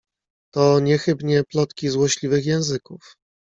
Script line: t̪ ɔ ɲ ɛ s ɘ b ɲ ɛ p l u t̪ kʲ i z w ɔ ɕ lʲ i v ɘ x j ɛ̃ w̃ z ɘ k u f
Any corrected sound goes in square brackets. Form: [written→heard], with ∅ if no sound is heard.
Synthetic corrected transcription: t̪ ɔ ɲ ɛ [s→x] ɘ b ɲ ɛ p l [u→ɔ] t̪ kʲ i z w ɔ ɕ lʲ i v ɘ x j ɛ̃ w̃ z ɘ k u f